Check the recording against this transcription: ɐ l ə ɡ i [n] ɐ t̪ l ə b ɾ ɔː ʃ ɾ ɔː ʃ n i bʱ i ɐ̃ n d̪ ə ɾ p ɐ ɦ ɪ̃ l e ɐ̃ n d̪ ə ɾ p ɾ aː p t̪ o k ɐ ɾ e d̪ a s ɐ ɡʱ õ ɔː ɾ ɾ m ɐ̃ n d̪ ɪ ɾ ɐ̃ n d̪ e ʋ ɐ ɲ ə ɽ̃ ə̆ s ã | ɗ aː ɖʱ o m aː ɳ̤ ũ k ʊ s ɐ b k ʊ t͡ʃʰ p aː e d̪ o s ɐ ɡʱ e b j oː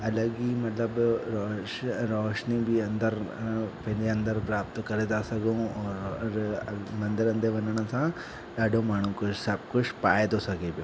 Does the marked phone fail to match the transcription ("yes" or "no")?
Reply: yes